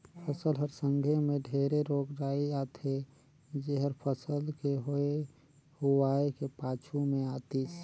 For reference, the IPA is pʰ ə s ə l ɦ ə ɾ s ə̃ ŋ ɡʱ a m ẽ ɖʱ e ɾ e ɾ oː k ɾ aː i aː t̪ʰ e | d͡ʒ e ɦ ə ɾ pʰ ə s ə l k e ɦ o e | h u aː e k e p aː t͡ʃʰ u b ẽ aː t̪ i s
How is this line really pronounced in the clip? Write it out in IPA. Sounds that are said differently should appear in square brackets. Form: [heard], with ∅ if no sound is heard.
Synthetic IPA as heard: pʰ ə s ə l ɦ ə ɾ s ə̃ ŋ ɡʱ [e] m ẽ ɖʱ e ɾ e ɾ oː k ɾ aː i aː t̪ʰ e | d͡ʒ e ɦ ə ɾ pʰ ə s ə l k e ɦ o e | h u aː e k e p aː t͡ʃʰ u [m] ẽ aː t̪ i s